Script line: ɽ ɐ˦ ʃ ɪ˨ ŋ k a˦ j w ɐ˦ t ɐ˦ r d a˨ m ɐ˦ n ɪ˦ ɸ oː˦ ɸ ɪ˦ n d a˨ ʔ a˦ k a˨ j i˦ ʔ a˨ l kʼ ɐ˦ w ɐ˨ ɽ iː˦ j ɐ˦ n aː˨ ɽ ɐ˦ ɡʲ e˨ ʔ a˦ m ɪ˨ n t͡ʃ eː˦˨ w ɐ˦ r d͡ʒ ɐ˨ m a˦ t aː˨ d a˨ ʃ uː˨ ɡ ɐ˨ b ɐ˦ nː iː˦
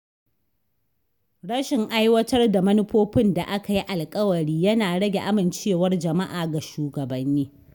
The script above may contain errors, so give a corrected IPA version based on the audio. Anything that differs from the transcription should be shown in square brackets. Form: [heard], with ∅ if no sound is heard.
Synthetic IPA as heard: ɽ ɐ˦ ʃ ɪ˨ ŋ [ʔ] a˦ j w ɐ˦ t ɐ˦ r d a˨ m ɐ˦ n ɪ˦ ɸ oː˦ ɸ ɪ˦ n d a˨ ʔ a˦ k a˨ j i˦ ʔ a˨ l kʼ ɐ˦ w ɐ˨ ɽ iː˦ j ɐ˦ n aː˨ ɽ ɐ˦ ɡʲ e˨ ʔ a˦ m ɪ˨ n t͡ʃ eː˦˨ w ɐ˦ r d͡ʒ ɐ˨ m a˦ [ʔ] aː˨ [ɡ] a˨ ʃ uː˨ ɡ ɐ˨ b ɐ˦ nː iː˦

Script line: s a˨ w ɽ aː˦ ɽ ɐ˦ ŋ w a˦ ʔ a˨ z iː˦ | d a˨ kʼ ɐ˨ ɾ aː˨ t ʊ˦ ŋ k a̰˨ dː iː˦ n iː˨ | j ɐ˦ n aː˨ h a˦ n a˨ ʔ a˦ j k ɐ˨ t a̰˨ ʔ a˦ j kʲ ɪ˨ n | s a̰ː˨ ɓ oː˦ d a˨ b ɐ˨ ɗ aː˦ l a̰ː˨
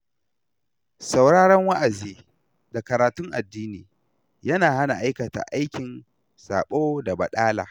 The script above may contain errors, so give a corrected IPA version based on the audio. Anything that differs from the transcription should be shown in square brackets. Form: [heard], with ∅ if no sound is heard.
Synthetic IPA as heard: s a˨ w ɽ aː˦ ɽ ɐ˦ ŋ w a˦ ʔ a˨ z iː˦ | d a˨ [k] ɐ˨ ɾ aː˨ t ʊ˦ ŋ [ʔ] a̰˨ dː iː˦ n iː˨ | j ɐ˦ n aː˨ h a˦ n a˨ ʔ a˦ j k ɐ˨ t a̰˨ ʔ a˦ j kʲ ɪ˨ n | s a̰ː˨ ɓ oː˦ d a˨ b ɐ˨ ɗ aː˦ l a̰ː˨

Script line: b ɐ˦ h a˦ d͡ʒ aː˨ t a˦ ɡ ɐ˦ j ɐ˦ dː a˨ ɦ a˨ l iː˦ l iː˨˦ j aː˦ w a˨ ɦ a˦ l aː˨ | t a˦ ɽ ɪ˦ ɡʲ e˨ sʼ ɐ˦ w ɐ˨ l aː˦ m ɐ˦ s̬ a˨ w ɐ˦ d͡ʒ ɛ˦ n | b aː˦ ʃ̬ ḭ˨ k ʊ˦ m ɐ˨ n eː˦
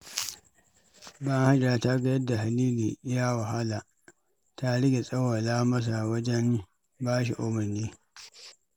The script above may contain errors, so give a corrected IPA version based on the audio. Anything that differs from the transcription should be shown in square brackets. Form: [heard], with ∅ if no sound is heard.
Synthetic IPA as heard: b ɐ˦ h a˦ d͡ʒ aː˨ t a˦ ɡ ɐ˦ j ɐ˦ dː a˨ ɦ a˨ l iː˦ l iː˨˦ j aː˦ w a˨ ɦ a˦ l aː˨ | t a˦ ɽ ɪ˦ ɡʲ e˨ sʼ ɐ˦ w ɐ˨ l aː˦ m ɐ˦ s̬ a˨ w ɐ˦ d͡ʒ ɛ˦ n | b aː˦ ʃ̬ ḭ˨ [ʔ] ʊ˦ m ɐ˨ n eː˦

